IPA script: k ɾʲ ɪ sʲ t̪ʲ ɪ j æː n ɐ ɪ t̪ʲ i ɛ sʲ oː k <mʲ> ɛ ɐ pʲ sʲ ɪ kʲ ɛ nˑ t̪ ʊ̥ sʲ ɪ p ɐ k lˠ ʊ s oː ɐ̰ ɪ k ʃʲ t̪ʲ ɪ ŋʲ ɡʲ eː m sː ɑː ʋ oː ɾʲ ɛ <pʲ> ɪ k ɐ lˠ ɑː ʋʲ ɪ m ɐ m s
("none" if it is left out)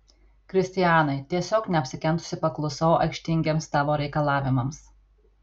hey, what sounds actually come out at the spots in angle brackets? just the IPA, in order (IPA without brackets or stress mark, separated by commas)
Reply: nʲ, none